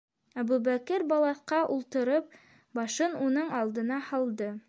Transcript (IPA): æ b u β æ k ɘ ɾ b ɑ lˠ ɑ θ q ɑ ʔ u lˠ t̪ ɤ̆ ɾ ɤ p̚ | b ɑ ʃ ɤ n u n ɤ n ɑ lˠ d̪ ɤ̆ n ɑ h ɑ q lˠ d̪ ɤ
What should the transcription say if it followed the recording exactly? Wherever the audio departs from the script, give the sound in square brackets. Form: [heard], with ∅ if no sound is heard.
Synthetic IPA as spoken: æ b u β æ k ɘ ɾ b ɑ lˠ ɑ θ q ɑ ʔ u lˠ t̪ ɤ̆ ɾ ɤ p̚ | b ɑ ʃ ɤ n u n ɤ [ɴ] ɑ lˠ d̪ ɤ̆ n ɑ h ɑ [∅] lˠ d̪ ɤ